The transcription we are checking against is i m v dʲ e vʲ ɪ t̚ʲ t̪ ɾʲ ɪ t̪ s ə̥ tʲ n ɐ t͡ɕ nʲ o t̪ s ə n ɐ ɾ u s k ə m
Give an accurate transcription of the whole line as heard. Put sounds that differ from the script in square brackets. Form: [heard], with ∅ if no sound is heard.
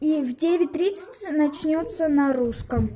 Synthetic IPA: i [∅] v dʲ e vʲ ɪ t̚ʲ t̪ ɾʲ [i] t̪ s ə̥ tʲ n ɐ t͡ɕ nʲ o t̪ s ə n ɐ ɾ u s k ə m